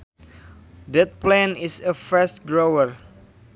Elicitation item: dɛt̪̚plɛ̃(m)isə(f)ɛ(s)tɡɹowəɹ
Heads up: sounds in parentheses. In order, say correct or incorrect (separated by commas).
incorrect, correct, correct